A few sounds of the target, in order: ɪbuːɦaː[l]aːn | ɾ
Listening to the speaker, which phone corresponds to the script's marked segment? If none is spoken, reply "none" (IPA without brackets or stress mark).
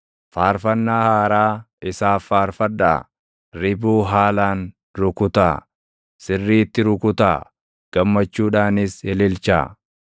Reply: l